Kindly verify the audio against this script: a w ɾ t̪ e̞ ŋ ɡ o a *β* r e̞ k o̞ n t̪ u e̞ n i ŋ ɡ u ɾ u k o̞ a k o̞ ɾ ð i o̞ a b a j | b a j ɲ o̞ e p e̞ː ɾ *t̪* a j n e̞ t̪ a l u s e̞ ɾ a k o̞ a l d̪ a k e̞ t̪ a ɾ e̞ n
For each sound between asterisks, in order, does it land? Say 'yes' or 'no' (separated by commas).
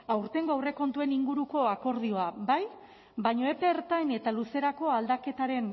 no, yes